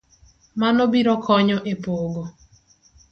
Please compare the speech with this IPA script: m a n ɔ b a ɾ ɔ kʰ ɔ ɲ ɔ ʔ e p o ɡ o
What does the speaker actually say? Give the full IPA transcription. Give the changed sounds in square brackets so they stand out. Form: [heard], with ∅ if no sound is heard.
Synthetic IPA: m a n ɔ b [i] ɾ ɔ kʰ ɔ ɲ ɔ ʔ e p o ɡ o